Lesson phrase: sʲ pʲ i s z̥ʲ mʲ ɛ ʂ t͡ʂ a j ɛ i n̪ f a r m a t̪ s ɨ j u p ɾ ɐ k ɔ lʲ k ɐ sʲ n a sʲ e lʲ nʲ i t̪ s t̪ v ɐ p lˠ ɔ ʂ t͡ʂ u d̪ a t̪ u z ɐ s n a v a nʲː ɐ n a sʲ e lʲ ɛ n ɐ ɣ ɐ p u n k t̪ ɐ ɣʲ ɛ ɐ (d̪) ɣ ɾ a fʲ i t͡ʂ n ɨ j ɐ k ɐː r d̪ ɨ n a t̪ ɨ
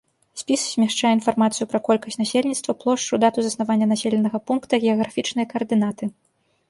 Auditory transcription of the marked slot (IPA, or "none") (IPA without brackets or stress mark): none